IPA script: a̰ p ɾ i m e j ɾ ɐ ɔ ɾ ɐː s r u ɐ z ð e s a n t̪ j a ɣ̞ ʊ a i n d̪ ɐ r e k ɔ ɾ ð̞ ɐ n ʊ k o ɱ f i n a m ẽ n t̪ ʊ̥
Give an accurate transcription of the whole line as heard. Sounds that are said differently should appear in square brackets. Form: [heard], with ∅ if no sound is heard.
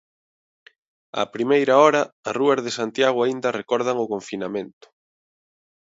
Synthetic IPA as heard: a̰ p ɾ i m e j ɾ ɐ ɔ ɾ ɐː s r u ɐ z ð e s a n t̪ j a ɣ̞ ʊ a i n d̪ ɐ r e k ɔ ɾ ð̞ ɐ [ŋ] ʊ k o ɱ f i n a m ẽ n t̪ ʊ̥